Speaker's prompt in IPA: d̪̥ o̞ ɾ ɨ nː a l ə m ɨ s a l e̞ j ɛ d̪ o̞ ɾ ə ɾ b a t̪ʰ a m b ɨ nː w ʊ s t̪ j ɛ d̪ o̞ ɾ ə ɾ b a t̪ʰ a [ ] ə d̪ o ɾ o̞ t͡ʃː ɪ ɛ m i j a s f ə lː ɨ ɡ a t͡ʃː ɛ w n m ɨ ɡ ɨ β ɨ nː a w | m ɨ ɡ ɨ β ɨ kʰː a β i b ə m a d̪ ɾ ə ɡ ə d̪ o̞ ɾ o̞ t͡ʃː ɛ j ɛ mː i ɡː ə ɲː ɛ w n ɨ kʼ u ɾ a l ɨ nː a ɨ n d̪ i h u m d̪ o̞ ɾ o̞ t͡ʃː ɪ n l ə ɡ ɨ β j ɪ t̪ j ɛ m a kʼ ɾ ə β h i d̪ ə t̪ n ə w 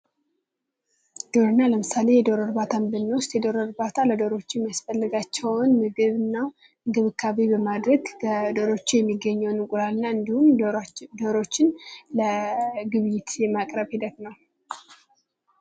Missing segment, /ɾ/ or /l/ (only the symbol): l